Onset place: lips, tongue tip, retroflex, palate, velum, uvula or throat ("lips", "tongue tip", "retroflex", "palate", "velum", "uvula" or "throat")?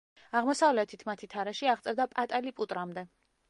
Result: uvula